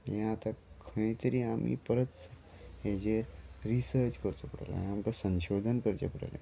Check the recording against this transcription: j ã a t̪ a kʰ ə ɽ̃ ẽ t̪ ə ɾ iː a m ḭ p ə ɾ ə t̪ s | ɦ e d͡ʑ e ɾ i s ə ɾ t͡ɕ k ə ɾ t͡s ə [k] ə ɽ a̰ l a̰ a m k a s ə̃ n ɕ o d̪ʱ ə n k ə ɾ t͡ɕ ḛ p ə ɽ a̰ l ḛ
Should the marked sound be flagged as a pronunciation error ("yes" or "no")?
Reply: yes